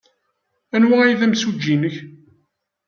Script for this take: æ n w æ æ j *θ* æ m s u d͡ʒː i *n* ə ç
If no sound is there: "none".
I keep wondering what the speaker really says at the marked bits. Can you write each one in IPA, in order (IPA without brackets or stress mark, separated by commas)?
ð, n